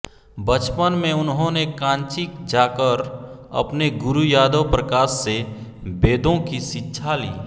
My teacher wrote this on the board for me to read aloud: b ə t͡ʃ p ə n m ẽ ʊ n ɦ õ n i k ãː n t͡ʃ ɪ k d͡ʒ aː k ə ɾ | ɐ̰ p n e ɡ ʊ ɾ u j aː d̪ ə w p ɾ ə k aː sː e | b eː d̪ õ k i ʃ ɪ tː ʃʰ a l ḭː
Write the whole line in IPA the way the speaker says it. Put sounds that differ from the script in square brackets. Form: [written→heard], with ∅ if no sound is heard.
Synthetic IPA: b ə t͡ʃ p ə n m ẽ ʊ n ɦ õ n [i→e] k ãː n t͡ʃ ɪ k d͡ʒ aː k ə ɾ | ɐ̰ p n e ɡ ʊ ɾ u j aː d̪ ə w p ɾ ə k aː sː e | b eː d̪ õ k i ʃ ɪ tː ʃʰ a l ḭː